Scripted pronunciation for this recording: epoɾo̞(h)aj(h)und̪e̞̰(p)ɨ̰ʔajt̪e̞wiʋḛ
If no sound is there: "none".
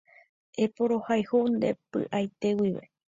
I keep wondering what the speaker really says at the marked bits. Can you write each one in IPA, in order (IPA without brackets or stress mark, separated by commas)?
h, h, p